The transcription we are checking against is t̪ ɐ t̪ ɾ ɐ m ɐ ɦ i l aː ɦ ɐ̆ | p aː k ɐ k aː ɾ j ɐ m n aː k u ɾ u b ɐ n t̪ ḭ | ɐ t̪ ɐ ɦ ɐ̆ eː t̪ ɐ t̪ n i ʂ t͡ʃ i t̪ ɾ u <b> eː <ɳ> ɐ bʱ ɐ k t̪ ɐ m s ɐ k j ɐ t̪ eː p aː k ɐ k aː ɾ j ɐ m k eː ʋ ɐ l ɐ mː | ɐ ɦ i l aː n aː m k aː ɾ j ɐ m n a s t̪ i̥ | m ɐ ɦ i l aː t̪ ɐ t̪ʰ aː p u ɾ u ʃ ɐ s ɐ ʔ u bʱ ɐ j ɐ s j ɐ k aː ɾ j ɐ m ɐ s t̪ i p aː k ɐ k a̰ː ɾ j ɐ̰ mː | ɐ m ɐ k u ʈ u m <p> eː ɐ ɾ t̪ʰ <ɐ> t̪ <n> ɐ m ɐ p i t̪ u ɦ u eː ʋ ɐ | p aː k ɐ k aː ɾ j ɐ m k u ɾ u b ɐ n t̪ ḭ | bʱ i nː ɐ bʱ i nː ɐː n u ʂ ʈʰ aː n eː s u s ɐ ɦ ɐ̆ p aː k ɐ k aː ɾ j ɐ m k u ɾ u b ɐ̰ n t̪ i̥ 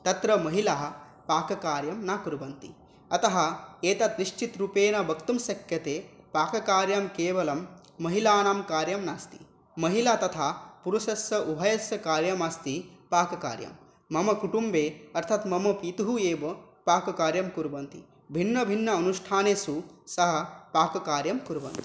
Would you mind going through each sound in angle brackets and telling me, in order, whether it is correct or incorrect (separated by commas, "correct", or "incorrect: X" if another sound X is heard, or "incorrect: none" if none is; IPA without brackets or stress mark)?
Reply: incorrect: p, incorrect: n, incorrect: b, correct, incorrect: m